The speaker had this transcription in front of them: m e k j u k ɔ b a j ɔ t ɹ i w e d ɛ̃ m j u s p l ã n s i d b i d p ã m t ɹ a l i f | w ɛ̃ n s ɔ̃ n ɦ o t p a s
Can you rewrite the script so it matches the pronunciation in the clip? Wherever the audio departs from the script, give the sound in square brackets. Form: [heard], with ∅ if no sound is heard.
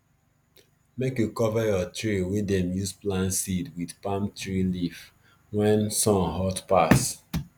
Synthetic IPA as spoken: m e k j u k ɔ [v] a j ɔ t ɹ i w e d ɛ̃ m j u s p l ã n s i d [w] i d p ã m t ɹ [i] l i f | w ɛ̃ n s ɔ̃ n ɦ [ɔ] t p a s

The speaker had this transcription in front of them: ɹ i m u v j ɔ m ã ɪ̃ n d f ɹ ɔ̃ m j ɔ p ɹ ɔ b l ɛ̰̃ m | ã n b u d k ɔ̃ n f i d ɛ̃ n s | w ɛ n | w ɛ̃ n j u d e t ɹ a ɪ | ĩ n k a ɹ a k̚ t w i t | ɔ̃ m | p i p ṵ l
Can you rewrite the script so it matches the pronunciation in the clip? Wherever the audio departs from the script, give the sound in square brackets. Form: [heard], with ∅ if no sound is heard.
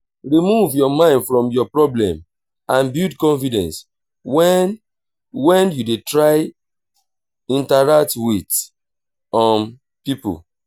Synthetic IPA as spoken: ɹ i m u v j ɔ m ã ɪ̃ n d f ɹ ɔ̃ m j ɔ p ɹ ɔ b l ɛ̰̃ m | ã n b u d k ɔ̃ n f i d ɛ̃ n s | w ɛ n | w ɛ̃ n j u d e t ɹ a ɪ | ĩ n [t] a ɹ a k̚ t w i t | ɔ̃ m | p i p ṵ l

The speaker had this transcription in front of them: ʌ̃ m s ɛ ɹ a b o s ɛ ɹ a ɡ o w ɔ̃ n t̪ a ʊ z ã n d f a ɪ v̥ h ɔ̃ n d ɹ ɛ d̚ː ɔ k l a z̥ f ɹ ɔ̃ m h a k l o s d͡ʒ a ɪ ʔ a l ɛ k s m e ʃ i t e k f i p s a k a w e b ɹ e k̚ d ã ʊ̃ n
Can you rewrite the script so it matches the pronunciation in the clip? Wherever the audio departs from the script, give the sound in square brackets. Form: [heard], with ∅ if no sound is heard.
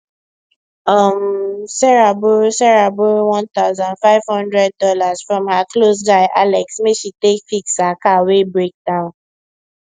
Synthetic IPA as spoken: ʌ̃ m s ɛ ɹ a b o s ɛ ɹ a [b] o w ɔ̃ n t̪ a ʊ z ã n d f a ɪ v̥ h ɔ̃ n d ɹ ɛ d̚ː ɔ [∅] l a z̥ f ɹ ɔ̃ m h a k l o s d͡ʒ a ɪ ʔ a l ɛ k s m e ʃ i t e k f i [k] s a k a w e b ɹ e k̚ d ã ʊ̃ n

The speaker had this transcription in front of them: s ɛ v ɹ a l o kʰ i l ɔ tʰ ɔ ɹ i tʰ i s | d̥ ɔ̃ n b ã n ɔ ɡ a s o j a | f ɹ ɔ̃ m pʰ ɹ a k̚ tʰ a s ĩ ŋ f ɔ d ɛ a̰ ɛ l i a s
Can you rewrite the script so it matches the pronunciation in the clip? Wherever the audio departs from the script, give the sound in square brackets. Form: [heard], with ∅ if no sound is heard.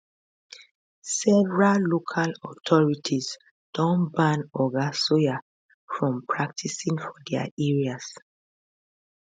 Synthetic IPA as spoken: s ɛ v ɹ a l o kʰ [a] l ɔ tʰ ɔ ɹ i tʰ i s | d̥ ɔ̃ n b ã n ɔ ɡ a s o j a | f ɹ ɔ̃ m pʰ ɹ a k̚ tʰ [i] s ĩ ŋ f ɔ d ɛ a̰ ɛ [ɹ] i a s

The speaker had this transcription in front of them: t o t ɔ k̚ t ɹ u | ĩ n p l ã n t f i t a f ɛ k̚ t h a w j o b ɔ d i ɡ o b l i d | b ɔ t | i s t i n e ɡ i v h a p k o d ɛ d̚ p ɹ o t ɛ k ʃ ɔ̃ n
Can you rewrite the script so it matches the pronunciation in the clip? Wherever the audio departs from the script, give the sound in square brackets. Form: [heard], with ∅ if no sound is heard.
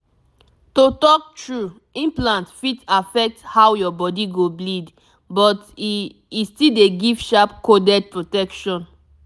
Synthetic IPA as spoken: t o t ɔ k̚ t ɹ u | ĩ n p l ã n t f i t a f ɛ k̚ t h a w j [ɔ] b ɔ d i ɡ o b l i d | b ɔ t | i s t i [d] e ɡ i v [ʃ] a p k o d ɛ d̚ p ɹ o t ɛ k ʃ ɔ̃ n

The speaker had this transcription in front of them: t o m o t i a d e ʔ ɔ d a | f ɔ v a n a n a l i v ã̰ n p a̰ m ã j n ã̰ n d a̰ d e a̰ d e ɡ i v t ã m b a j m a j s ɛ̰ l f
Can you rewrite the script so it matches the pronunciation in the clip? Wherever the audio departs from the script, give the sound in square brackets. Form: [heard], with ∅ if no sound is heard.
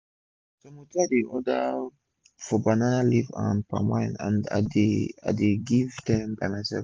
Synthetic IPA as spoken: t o m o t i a d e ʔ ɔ d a | f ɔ [b] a n a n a l i v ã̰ n p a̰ m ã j n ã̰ n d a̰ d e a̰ d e ɡ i v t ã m b a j m a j s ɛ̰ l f

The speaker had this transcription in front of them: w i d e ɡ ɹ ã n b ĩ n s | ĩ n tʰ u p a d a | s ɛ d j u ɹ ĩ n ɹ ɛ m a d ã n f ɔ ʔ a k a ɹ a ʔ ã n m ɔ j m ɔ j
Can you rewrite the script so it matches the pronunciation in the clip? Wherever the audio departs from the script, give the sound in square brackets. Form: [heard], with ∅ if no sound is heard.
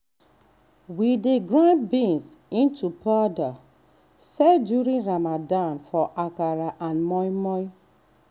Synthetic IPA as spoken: w i d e ɡ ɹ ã n b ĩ n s | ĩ n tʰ u p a d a | s ɛ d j u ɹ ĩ n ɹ [a] m a d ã n f ɔ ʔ a k a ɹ a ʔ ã n m ɔ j m ɔ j

